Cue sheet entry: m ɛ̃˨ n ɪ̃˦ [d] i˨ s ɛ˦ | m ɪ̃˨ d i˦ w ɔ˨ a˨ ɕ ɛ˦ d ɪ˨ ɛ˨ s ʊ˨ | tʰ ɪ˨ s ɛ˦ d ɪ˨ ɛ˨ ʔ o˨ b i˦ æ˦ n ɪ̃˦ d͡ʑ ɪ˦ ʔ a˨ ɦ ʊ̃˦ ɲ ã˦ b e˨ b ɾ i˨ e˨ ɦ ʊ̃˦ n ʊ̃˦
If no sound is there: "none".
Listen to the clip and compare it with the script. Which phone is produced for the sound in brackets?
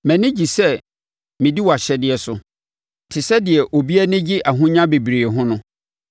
d͡ʑ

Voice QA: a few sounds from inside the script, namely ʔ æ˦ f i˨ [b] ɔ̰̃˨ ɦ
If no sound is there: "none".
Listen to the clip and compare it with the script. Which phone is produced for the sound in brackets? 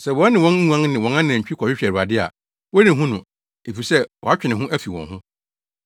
w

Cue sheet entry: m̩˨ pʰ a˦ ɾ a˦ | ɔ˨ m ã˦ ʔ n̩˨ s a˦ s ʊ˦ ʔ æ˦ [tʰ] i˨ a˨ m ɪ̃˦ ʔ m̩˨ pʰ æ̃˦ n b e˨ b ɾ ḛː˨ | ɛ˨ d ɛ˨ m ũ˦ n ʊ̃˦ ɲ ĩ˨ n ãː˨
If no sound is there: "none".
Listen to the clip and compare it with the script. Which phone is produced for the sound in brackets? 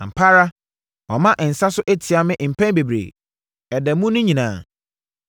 tʰ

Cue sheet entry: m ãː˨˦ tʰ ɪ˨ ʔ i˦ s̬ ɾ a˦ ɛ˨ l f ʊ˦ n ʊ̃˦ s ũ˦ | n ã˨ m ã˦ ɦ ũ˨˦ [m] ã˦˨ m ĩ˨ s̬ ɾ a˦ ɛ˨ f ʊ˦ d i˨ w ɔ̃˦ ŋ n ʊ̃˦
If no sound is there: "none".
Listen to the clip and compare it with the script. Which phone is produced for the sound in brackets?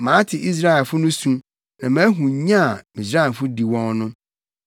ɲ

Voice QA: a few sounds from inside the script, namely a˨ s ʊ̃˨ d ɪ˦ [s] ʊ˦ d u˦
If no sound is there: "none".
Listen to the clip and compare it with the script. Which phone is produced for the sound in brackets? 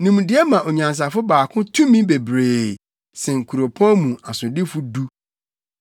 f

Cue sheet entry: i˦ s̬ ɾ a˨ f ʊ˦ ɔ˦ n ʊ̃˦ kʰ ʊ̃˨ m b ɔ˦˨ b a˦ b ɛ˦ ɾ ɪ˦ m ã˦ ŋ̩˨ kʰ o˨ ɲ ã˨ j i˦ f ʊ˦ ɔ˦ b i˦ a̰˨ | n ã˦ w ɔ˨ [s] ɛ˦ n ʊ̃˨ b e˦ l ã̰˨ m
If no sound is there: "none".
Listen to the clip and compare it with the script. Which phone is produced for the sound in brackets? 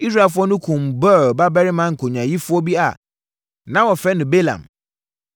f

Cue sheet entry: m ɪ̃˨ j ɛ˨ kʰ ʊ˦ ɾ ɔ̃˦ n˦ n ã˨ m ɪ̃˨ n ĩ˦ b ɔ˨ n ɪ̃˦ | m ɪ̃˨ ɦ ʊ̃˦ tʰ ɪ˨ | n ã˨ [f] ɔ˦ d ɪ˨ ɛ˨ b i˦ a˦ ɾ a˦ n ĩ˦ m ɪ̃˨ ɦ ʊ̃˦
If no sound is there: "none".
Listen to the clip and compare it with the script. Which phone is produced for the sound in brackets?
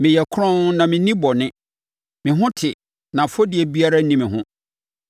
f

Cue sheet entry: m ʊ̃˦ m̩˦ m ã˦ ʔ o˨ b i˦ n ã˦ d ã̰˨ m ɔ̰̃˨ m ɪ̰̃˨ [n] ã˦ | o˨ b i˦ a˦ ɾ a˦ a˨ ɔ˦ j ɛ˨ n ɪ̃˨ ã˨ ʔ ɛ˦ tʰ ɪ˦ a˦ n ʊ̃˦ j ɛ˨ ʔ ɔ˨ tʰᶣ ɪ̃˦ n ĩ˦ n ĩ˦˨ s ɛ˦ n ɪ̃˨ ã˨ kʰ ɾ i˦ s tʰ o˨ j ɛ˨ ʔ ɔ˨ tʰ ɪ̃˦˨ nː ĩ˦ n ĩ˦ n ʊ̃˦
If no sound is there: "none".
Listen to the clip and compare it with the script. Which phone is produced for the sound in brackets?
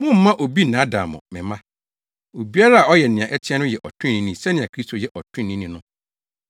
m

